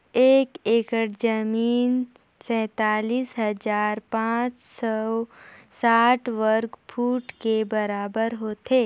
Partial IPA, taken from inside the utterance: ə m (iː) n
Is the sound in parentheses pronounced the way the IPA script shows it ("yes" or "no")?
yes